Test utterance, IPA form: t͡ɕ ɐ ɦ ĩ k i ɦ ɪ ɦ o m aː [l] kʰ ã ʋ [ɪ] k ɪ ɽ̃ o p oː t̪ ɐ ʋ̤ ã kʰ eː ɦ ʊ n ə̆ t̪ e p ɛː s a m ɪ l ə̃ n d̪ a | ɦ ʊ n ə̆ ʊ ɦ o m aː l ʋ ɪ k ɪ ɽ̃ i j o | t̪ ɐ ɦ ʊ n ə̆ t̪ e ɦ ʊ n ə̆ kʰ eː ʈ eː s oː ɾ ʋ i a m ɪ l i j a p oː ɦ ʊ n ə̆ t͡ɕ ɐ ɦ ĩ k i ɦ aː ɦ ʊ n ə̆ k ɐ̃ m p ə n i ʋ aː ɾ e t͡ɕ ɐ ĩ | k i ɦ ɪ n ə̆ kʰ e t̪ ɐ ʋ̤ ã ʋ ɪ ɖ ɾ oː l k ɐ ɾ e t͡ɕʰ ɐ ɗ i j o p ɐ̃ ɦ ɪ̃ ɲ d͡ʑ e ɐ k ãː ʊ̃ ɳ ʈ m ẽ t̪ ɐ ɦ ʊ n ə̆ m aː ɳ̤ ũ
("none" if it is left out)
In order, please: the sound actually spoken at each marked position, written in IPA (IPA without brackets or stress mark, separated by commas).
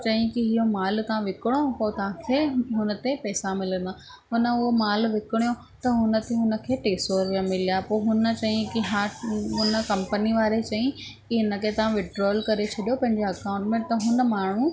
l, ɪ